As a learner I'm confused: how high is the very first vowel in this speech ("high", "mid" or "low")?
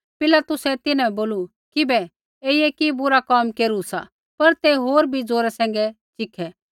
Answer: high